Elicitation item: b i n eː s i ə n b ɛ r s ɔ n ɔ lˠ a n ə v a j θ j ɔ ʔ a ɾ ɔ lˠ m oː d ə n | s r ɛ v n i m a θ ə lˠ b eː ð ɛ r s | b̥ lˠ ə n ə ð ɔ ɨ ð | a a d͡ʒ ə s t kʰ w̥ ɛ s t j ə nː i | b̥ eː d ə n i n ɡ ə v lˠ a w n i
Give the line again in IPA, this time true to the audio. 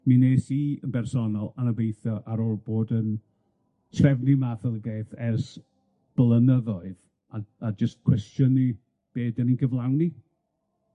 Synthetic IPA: m i n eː s i ə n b ɛ r s ɔ n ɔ lˠ a n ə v e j θ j ɔ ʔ a ɾ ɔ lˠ b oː d ə n | s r ɛ v n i m a θ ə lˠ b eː θ ɛ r s | b̥ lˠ ə n ə ð ɔ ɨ ð | a a d͡ʒ ə s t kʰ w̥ ɛ s t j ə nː i | b̥ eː d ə n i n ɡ ə v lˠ a w n i